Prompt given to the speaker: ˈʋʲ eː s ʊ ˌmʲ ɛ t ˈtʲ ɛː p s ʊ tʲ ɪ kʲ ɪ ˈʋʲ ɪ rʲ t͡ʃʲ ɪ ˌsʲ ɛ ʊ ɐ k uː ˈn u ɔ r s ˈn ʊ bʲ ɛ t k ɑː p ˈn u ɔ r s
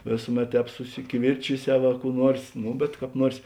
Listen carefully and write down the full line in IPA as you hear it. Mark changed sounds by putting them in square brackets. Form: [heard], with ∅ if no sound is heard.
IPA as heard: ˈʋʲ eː s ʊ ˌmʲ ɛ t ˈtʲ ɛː p s ʊ [sʲ] ɪ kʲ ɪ ˈʋʲ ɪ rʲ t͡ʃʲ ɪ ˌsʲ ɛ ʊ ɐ k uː ˈn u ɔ r s ˈn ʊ bʲ ɛ t k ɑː p ˈn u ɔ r s